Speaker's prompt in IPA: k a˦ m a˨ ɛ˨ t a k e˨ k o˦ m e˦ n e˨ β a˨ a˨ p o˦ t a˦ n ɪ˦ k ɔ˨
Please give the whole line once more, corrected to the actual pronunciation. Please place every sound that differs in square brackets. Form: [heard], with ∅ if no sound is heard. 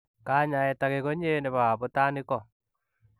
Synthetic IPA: k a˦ [ɲ] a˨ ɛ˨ t a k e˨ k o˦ [ɲ] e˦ n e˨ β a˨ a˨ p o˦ t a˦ n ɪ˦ k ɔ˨